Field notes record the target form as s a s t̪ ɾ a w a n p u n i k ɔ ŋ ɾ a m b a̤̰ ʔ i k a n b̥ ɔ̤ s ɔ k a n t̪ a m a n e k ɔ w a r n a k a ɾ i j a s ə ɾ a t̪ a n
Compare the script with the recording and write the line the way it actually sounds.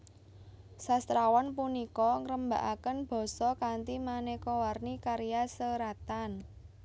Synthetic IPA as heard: s a s t̪ ɾ a w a n p u n i k ɔ ŋ ɾ ə m b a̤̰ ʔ a k ə n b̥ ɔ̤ s ɔ k a n t̪ i m a n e k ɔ w a r n i k a ɾ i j a s ə ɾ a t̪ a n

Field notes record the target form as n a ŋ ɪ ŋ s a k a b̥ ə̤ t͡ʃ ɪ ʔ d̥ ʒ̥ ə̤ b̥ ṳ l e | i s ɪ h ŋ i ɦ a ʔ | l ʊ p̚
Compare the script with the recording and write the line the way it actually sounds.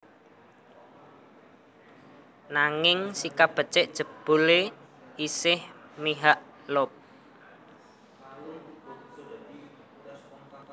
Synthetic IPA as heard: n a ŋ ɪ ŋ s i k a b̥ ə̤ t͡ʃ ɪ ʔ d̥ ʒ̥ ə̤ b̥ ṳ l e | i s ɪ h m i ɦ a ʔ | l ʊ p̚

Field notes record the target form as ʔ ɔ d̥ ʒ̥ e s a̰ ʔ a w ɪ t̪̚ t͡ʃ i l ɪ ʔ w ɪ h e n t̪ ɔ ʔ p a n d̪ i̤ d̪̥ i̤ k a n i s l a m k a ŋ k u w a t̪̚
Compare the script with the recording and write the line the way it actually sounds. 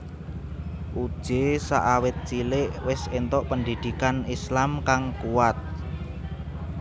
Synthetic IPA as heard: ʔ u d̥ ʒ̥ e s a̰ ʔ a w ɪ t̪̚ t͡ʃ i l ɪ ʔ w ɪ s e n t̪ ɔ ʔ p ə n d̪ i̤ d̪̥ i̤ k a n i s l a m k a ŋ k u w a t̪̚

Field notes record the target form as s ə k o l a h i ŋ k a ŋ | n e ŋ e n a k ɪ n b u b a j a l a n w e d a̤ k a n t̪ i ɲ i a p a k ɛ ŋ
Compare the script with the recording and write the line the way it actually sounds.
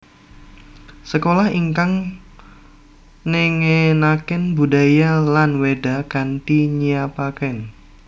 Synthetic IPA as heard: s ə k o l a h i ŋ k a ŋ | n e ŋ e n a k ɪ n b u d a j a l a n w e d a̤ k a n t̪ i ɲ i a p a k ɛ n

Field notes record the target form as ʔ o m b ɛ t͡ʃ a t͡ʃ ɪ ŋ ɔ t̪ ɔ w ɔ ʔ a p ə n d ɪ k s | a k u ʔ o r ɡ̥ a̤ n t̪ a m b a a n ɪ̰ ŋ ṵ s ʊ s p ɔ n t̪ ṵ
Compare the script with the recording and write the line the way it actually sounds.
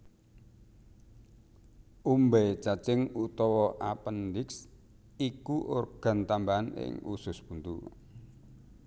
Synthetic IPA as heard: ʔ u m b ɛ t͡ʃ a t͡ʃ ɪ ŋ u t̪ ɔ w ɔ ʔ a p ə n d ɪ k s | i k u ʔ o r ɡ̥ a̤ n t̪ a m b a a n ɪ̰ ŋ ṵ s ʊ s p u n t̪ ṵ

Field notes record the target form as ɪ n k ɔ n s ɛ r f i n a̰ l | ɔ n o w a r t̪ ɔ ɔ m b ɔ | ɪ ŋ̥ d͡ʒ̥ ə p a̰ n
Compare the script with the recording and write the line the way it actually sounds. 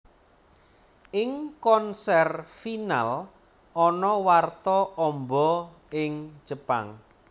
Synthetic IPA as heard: ɪ ŋ k ɔ n s ɛ r f i n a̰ l | ɔ n ɔ w a r t̪ ɔ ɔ m b ɔ | ɪ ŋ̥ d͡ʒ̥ ə p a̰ ŋ

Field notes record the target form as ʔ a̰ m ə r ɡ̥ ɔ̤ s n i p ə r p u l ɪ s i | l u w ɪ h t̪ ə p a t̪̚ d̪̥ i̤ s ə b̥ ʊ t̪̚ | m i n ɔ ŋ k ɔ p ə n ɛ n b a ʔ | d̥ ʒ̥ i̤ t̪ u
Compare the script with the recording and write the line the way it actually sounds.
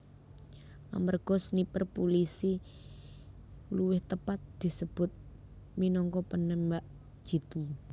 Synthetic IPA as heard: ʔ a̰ m ə r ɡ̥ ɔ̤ s n i p ə r p u l i s i | l u w ɪ h t̪ ə p a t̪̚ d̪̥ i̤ s ə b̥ ʊ t̪̚ | m i n ɔ ŋ k ɔ p ə n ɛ m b a ʔ | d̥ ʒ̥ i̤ t̪ u

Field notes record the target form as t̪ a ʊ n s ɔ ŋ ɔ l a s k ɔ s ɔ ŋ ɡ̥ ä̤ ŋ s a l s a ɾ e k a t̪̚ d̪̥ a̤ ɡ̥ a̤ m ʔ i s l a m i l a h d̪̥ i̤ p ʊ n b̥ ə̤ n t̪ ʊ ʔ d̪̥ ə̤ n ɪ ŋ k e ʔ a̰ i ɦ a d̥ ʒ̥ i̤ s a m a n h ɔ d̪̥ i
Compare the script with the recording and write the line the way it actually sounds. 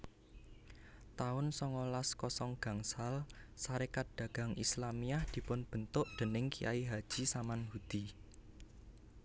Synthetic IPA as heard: t̪ a ʊ n s ɔ ŋ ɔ l a s k ɔ s ɔ ŋ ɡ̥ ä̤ ŋ s a l s a ɾ e k a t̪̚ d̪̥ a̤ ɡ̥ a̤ ŋ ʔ i s l a m i a h d̪̥ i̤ p ʊ n b̥ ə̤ n t̪ ʊ ʔ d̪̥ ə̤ n ɪ ŋ k i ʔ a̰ i ɦ a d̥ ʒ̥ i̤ s a m a n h u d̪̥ i

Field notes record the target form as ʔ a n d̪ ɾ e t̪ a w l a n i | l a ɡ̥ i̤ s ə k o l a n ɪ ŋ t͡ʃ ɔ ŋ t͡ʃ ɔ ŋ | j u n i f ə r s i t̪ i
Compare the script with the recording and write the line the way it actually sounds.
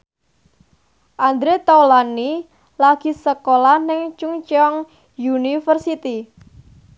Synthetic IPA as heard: ʔ a n d̪ ɾ e t̪ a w l a n i | l a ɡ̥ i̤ s ə k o l a n ɪ ŋ t͡ʃ u ŋ t͡ʃ ɔ ŋ | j u n i f ə r s i t̪ i

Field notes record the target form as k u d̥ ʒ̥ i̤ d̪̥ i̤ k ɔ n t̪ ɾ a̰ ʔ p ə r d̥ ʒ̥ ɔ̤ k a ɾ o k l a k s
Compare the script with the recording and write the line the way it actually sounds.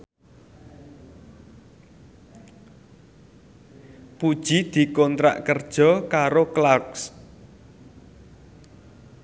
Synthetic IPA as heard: p u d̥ ʒ̥ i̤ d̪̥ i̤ k ɔ n t̪ ɾ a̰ ʔ k ə r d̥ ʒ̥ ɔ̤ k a ɾ o k l a k s

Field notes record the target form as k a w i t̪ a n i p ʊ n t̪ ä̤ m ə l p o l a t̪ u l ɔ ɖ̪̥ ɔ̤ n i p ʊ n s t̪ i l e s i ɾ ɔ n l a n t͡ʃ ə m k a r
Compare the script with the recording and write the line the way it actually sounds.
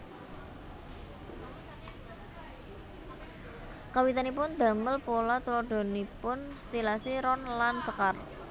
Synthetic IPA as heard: k a w i t̪ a n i p ʊ n d̪ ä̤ m ə l p o l a t̪ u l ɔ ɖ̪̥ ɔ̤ n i p ʊ n s t̪ i l a s i ɾ ɔ n l a n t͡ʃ ə k a r

